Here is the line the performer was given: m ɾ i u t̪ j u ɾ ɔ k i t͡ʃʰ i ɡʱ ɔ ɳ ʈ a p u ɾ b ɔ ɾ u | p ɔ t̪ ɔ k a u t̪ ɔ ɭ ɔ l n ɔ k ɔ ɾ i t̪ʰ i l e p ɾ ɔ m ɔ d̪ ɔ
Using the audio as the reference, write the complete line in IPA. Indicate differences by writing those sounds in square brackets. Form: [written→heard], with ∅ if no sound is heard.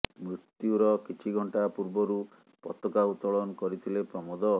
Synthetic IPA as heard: m ɾ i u t̪ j u ɾ ɔ k i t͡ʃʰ i ɡʱ ɔ ɳ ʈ a p u ɾ b ɔ ɾ u | p ɔ t̪ ɔ k a u t̪ ɔ ɭ ɔ [l→∅] n ɔ k ɔ ɾ i t̪ʰ i l e p ɾ ɔ m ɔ d̪ ɔ